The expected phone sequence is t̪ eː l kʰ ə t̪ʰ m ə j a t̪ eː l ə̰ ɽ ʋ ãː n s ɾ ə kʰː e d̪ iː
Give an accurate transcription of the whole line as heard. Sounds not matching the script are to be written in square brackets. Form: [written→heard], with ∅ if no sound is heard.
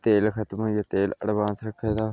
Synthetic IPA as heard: t̪ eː l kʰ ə [t̪ʰ→t̪] m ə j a t̪ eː l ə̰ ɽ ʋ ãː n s ɾ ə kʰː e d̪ [iː→aː]